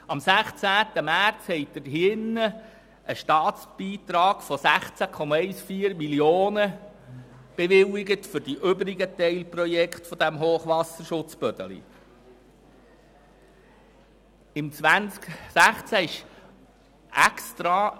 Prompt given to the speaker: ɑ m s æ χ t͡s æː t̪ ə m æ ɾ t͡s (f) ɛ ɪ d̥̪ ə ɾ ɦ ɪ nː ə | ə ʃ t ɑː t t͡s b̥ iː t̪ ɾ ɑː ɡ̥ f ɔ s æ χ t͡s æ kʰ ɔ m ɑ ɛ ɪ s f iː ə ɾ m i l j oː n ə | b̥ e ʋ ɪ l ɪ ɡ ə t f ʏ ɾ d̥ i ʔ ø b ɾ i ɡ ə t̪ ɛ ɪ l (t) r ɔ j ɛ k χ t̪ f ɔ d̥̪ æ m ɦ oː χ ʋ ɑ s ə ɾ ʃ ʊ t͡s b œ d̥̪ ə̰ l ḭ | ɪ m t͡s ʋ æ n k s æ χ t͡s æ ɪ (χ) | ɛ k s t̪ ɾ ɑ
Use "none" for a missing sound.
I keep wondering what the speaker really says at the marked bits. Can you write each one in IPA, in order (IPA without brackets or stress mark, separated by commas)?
h, p, ʃ